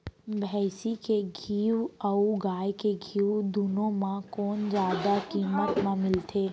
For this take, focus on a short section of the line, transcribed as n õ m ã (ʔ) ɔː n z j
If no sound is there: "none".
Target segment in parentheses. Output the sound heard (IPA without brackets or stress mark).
k